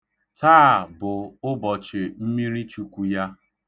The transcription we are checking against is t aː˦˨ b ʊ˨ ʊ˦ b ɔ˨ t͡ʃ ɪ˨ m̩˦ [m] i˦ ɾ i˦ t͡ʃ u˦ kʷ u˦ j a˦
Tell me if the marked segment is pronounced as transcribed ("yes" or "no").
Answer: yes